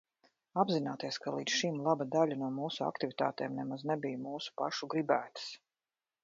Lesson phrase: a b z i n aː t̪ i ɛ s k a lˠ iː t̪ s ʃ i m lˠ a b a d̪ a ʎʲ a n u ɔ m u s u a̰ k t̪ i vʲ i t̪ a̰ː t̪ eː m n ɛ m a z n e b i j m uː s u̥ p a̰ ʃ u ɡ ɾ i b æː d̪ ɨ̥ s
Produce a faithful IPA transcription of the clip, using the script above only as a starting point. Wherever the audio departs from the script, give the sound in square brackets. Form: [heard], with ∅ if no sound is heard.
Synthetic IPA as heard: a b z i n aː t̪ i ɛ s k a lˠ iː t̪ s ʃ i m lˠ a b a d̪ a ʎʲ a n u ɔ m [uː] s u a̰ k t̪ i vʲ i t̪ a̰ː t̪ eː m n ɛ m a z n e b i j m uː s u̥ p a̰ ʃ u ɡ ɾ i b æː [t̪] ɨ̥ s